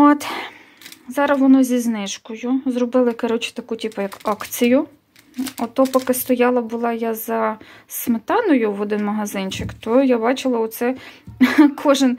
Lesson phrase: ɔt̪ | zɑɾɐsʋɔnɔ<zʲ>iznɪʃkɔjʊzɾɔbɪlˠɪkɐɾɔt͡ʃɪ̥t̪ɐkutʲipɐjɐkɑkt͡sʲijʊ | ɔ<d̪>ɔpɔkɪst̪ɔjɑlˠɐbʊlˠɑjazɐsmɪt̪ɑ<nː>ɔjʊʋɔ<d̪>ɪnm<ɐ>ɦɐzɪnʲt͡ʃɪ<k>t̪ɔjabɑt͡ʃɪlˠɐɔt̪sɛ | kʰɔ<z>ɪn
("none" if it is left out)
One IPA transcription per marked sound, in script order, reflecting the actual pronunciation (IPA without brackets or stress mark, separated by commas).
zʲ, t̪, n, d̪, ɐ, k, ʒ